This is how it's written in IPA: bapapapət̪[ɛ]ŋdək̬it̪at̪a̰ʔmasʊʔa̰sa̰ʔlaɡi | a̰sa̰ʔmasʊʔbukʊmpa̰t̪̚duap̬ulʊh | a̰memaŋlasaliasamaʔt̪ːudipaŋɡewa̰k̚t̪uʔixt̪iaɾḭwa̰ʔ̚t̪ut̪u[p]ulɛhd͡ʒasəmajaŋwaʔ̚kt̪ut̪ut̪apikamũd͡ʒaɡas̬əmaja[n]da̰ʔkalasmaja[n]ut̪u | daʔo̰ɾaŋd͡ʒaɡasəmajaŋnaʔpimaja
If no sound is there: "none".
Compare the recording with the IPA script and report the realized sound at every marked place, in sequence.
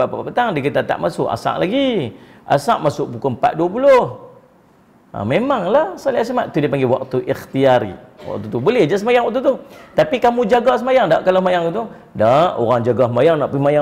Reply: a, b, ŋ, ŋ

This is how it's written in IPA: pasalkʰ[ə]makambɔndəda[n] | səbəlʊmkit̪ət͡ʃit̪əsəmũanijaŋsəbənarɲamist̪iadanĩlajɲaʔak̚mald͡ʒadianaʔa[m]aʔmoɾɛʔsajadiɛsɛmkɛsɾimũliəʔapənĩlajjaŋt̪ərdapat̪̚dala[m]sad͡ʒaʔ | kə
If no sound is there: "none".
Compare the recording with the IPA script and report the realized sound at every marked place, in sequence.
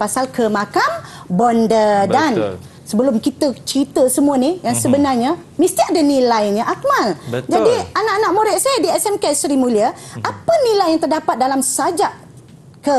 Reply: ə, n, n, m

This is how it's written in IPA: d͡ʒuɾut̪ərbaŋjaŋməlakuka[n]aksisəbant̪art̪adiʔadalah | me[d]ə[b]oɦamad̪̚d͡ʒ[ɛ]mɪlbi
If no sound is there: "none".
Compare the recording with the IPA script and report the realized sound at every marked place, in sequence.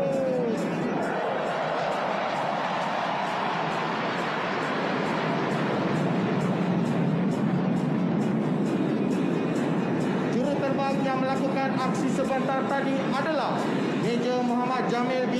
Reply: n, d͡ʒ, m, a

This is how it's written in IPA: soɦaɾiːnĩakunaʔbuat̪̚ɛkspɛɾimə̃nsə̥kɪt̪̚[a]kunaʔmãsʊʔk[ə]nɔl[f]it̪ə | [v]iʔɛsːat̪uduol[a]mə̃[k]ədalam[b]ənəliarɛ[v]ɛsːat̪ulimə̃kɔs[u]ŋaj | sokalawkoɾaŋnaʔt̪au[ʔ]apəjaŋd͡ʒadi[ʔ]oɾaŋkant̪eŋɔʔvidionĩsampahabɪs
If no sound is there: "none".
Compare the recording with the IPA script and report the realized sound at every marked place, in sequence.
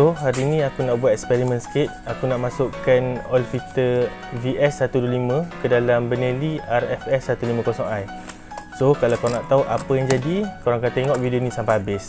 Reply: a, a, f, v, i, k, b, f, ɔ, ʔ, k

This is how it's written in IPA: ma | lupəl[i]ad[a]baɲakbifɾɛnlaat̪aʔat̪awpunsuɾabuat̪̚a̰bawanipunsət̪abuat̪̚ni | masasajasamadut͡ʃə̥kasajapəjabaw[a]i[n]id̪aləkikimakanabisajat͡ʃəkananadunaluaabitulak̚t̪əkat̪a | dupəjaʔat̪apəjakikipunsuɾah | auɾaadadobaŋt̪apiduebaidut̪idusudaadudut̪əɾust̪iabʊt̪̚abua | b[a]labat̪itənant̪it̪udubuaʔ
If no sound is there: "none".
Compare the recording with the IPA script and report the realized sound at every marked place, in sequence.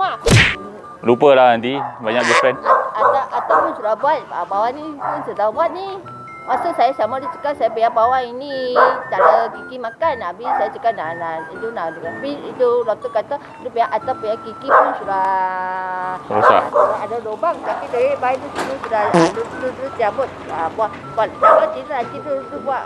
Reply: a, i, a, n, a

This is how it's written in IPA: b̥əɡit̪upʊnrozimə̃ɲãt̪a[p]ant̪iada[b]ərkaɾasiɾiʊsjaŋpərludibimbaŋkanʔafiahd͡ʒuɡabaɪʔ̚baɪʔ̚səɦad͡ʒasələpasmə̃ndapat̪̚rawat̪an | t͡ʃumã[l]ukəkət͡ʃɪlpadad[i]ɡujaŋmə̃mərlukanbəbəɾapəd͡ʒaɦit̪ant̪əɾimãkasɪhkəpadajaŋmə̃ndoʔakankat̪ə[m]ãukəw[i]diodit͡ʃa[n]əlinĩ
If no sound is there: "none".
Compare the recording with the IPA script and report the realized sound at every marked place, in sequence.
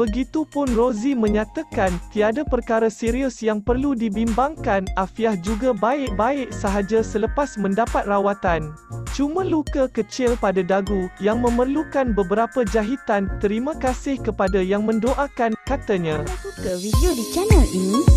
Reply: k, p, l, a, ɲ, i, n

